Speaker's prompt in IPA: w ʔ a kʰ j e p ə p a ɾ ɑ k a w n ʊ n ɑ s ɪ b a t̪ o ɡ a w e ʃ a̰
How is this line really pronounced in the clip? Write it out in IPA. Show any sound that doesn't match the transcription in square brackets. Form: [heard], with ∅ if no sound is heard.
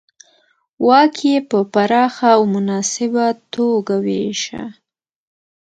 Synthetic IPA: w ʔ [ɑ] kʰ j e p ə p a ɾ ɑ [x] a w [m] ʊ n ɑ s ɪ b a t̪ o ɡ a w e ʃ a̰